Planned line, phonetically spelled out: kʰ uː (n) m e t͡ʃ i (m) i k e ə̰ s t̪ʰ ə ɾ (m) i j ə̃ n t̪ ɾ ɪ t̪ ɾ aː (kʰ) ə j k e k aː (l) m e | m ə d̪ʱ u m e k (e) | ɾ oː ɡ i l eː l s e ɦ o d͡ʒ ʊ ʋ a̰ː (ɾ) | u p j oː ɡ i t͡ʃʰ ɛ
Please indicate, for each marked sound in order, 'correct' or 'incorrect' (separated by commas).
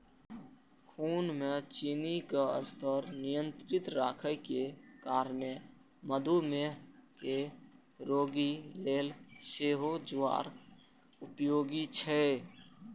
correct, incorrect, incorrect, correct, incorrect, correct, correct